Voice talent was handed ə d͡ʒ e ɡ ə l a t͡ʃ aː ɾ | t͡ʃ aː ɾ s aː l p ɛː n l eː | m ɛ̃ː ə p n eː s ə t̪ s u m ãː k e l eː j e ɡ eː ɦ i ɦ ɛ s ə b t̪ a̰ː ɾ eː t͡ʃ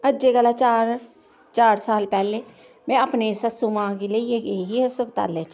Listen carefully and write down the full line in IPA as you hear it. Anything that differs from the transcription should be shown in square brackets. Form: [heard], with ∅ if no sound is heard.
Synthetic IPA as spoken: ə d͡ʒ e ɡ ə l a t͡ʃ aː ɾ | t͡ʃ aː ɾ s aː l p ɛː [∅] l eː | m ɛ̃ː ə p n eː s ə [∅] s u m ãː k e l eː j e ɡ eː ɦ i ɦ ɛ s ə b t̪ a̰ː [l] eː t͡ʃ